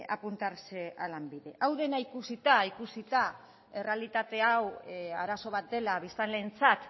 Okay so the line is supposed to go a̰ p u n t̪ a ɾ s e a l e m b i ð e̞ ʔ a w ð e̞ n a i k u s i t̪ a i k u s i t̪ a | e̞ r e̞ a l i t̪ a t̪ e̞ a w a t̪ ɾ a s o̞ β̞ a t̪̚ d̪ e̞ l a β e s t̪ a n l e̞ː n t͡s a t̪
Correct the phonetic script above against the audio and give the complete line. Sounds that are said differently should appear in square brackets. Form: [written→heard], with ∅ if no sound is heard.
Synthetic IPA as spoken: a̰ p u n t̪ a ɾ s e a l [e→a] m b i ð e̞ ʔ a w ð e̞ n a i k u s i t̪ a i k u s i t̪ a | e̞ r e̞ a l i t̪ a t̪ e̞ a w a [t̪→∅] ɾ a s o̞ β̞ a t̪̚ d̪ e̞ l a β [e→i] s t̪ a n l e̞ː n t͡s a t̪

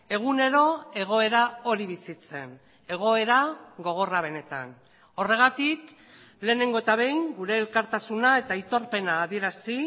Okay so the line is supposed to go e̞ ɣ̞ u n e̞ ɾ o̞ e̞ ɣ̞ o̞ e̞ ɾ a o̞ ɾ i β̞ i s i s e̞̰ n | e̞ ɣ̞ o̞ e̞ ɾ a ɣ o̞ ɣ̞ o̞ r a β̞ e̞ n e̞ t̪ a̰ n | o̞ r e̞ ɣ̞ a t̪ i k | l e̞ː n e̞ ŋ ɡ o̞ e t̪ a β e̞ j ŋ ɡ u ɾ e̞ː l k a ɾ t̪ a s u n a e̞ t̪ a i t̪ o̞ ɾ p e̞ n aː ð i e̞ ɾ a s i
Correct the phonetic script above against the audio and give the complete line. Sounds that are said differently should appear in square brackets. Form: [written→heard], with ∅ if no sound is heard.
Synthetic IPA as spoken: e̞ ɣ̞ u n e̞ ɾ o̞ e̞ ɣ̞ o̞ e̞ ɾ a o̞ ɾ i β̞ i s i [s→t͡s] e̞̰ n | e̞ ɣ̞ o̞ e̞ ɾ a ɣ o̞ ɣ̞ o̞ r a β̞ e̞ n e̞ t̪ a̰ n | o̞ r e̞ ɣ̞ a t̪ i k | l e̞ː n e̞ ŋ ɡ o̞ e t̪ a β e̞ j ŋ ɡ u ɾ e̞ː l k a ɾ t̪ a s u n a e̞ t̪ a i t̪ o̞ ɾ p e̞ n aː ð i e̞ ɾ a s i

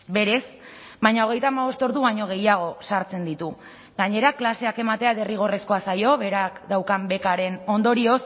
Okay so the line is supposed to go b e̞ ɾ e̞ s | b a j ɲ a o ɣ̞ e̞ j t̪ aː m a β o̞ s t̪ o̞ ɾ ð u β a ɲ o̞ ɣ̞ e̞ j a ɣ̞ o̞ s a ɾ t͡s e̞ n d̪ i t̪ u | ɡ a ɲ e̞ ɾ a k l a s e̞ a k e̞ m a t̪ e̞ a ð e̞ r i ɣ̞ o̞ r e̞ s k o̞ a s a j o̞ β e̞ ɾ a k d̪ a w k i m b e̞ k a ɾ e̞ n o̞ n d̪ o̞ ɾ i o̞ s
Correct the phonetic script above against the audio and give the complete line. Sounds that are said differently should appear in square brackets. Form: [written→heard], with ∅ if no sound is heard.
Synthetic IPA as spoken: b e̞ ɾ e̞ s | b a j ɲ a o ɣ̞ e̞ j t̪ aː m a β o̞ s t̪ o̞ ɾ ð u β a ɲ o̞ ɣ̞ e̞ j a ɣ̞ o̞ s a ɾ t͡s e̞ n d̪ i t̪ u | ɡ a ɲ e̞ ɾ a k l a s e̞ a k e̞ m a t̪ e̞ a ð e̞ r i ɣ̞ o̞ r e̞ s k o̞ a s a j o̞ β e̞ ɾ a k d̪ a w k [i→a] m b e̞ k a ɾ e̞ n o̞ n d̪ o̞ ɾ i o̞ s

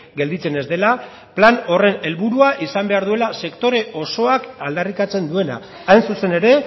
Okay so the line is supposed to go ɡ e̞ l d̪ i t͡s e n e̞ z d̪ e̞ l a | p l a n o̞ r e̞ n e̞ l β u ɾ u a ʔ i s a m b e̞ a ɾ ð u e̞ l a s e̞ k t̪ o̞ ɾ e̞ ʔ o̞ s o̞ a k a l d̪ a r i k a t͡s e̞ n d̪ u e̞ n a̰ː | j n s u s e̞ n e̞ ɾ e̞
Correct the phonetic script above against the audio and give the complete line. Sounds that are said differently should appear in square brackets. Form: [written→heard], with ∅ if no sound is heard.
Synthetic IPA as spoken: ɡ e̞ l d̪ i t͡s e n e̞ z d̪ e̞ l a | p l a n o̞ r e̞ n e̞ l β u ɾ u a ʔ i s a m b e̞ a ɾ ð u e̞ l a s e̞ k t̪ o̞ ɾ e̞ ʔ o̞ s o̞ a k a l d̪ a r i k a t͡s e̞ n d̪ u e̞ n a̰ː | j n s u s e̞ n e̞ ɾ e̞

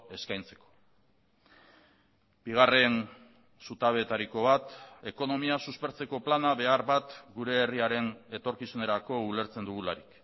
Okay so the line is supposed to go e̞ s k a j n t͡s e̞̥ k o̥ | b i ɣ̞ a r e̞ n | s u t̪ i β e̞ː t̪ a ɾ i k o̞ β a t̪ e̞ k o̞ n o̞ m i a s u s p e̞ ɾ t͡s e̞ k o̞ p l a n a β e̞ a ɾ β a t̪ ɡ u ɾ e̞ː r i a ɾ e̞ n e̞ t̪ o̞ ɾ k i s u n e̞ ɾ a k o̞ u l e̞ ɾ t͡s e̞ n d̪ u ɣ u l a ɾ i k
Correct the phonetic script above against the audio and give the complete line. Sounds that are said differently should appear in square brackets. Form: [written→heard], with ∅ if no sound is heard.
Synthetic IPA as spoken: e̞ s k a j n t͡s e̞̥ k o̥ | b i ɣ̞ a r e̞ n | s u t̪ [i→a] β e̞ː t̪ a ɾ i k o̞ β a t̪ e̞ k o̞ n o̞ m i a s u s p e̞ ɾ t͡s e̞ k o̞ p l a n a β e̞ a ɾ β a t̪ ɡ u ɾ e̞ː r i a ɾ e̞ n e̞ t̪ o̞ ɾ k i s u n e̞ ɾ a k o̞ u l e̞ ɾ t͡s e̞ n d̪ u ɣ u l a ɾ i k

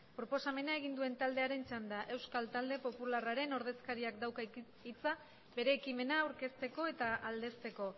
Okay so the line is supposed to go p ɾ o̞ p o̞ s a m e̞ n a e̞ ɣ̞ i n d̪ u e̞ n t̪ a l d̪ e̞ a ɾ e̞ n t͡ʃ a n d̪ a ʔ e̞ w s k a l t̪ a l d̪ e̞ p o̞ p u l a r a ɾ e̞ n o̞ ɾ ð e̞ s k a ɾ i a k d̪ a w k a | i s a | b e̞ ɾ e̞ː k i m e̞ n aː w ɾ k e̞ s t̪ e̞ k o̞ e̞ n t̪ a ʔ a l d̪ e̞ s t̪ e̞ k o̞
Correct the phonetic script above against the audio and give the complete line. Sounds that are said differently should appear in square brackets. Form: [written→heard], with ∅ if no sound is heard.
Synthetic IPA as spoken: p ɾ o̞ p o̞ s a m e̞ n a e̞ ɣ̞ i n d̪ u e̞ n t̪ a l d̪ e̞ a ɾ e̞ n t͡ʃ a n d̪ a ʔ e̞ w s k a l t̪ a l d̪ e̞ p o̞ p u l a r a ɾ e̞ n o̞ ɾ ð e̞ s k a ɾ i a k d̪ a w k a | i [s→t͡s] a | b e̞ ɾ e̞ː k i m e̞ n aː w ɾ k e̞ s t̪ e̞ k o̞ e̞ [n→∅] t̪ a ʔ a l d̪ e̞ s t̪ e̞ k o̞

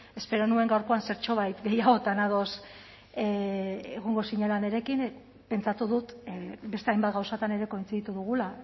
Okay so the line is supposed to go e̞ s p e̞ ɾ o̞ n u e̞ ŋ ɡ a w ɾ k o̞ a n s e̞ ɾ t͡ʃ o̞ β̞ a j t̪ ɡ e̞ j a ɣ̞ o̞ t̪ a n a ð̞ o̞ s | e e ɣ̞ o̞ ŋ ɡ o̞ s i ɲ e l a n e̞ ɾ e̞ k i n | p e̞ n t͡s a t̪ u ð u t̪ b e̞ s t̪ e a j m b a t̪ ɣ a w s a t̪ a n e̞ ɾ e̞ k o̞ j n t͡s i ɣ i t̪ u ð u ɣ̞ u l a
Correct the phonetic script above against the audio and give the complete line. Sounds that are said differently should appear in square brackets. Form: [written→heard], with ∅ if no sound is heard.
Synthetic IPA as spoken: e̞ s p e̞ ɾ o̞ n u e̞ ŋ ɡ a w ɾ k o̞ a n s e̞ ɾ t͡ʃ o̞ β̞ a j t̪ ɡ e̞ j a ɣ̞ o̞ t̪ a n a ð̞ o̞ s | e e ɣ̞ o̞ ŋ ɡ o̞ s i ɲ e l a n e̞ ɾ e̞ k i n | p e̞ n t͡s a t̪ u ð u t̪ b e̞ s t̪ e a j m b a t̪ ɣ a w s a t̪ a n e̞ ɾ e̞ k o̞ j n t͡s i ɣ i t̪ u ð u ɣ̞ u l a

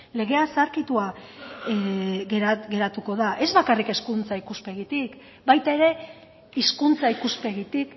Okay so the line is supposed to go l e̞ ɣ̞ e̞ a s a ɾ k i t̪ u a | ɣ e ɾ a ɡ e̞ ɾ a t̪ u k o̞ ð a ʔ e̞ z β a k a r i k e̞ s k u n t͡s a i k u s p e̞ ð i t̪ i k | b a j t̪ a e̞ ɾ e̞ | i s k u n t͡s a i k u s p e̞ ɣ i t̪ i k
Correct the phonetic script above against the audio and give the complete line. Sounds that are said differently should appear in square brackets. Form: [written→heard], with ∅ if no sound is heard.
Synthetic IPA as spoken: l e̞ ɣ̞ e̞ a s a ɾ k i t̪ u a | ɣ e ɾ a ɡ e̞ ɾ a t̪ u k o̞ ð a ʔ e̞ z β a k a r i k e̞ s k u n t͡s a i k u s p e̞ [ð→ɣ] i t̪ i k | b a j t̪ a e̞ ɾ e̞ | i s k u n t͡s a i k u s p e̞ ɣ i t̪ i k

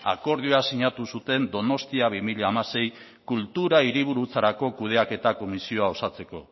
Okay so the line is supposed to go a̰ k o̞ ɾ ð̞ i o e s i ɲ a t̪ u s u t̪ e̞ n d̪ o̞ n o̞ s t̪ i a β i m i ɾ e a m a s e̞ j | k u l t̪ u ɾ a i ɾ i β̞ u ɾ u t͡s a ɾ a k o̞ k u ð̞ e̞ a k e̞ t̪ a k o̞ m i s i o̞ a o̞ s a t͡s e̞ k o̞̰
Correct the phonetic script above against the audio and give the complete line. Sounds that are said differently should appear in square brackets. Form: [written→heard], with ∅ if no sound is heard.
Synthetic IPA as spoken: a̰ k o̞ ɾ ð̞ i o [e→a] s i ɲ a t̪ u s u t̪ e̞ n d̪ o̞ n o̞ s t̪ i a β i m i [ɾ→ʎ] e a m a s e̞ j | k u l t̪ u ɾ a i ɾ i β̞ u ɾ u t͡s a ɾ a k o̞ k u ð̞ e̞ a k e̞ t̪ a k o̞ m i s i o̞ a o̞ s a t͡s e̞ k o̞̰

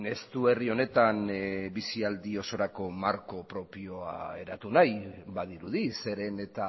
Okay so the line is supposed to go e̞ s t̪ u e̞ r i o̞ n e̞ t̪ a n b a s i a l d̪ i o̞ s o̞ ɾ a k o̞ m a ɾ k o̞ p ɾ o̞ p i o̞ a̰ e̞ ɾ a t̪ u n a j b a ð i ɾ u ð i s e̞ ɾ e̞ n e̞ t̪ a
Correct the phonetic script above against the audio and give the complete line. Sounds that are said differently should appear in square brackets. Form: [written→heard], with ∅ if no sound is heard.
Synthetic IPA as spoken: e̞ s t̪ u e̞ r i o̞ n e̞ t̪ a n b [a→i] s i a l d̪ i o̞ s o̞ ɾ a k o̞ m a ɾ k o̞ p ɾ o̞ p i o̞ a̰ e̞ ɾ a t̪ u n a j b a ð i ɾ u ð i s e̞ ɾ e̞ n e̞ t̪ a

